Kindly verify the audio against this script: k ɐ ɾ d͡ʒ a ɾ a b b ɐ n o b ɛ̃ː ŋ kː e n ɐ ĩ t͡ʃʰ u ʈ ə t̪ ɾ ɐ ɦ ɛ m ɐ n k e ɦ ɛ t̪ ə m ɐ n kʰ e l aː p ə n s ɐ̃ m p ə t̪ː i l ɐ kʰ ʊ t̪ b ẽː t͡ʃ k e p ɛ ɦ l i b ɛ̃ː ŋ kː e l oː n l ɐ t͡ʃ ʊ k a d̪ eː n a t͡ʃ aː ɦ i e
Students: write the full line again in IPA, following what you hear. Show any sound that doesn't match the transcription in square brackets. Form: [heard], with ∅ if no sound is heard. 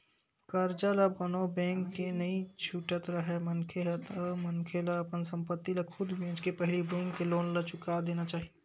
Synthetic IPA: k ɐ ɾ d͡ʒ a [l] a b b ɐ n o b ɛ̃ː ŋ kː e n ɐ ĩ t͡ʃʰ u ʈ ə t̪ ɾ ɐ ɦ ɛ m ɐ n [kʰ] e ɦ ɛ t̪ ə m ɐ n kʰ e l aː p ə n s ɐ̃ m p ə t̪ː i l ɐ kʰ ʊ [d̪] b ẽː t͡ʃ k e p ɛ ɦ l i b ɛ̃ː ŋ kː e l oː n l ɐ t͡ʃ ʊ k a d̪ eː n a t͡ʃ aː ɦ i e